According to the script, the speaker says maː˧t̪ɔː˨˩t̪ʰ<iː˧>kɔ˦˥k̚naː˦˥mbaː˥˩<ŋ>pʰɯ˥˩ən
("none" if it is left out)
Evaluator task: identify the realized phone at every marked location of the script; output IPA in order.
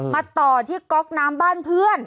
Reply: iː˥˩, n

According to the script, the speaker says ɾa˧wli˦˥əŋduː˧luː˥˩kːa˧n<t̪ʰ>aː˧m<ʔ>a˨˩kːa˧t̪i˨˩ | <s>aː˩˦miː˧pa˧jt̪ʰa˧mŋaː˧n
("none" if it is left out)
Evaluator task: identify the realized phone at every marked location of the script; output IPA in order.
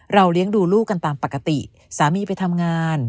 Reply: t̪, p, s

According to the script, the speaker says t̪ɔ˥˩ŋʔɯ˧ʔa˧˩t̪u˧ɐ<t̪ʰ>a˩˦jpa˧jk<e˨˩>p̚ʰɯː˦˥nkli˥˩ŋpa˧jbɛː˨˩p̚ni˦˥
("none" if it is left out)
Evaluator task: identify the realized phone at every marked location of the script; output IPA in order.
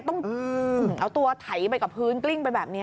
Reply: t̪ʰ, a˨˩

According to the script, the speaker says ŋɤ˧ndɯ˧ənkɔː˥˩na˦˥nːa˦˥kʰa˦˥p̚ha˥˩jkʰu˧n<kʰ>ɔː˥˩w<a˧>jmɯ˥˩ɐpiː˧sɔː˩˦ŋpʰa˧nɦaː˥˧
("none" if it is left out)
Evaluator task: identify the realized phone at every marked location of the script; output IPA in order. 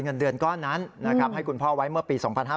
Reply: pʰ, a˦˥

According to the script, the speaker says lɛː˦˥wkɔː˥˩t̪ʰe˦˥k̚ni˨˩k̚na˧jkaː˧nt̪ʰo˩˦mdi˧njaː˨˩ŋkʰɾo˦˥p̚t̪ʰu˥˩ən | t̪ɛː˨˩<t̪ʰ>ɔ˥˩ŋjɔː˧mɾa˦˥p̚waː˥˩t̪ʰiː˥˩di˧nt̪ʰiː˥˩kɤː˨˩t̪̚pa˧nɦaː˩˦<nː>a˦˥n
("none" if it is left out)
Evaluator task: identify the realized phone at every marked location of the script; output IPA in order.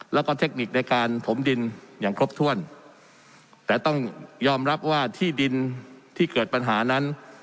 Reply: t̪, n

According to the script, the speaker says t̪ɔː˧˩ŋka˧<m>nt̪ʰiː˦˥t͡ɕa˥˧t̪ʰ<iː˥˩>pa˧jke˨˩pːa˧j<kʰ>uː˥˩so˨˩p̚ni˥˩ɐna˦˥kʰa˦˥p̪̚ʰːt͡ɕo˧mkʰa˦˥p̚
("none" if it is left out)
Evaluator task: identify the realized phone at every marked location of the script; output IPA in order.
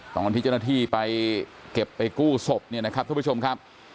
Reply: none, iː˥˩, k

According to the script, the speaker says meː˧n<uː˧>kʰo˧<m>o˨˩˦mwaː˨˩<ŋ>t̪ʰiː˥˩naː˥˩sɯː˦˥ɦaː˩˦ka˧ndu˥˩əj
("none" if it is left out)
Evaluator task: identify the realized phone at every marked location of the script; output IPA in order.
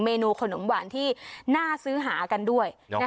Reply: uː˧, n, n

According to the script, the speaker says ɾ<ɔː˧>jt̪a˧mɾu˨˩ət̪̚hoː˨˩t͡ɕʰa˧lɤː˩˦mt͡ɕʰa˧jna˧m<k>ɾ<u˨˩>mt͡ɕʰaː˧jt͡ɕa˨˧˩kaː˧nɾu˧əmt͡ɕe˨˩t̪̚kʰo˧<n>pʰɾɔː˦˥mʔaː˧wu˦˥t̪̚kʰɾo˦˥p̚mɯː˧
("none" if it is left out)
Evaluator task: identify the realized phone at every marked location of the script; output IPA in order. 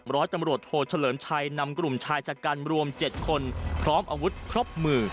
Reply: ɔː˦˥, k, u˨˩, n

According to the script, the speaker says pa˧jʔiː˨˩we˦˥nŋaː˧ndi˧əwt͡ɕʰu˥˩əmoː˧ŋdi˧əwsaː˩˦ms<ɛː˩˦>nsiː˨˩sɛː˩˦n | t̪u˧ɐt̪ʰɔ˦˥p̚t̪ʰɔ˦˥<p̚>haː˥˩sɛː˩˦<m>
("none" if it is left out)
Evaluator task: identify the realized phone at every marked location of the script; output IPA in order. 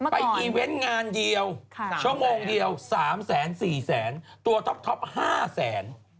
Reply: ɛː˩˦, p̚, n

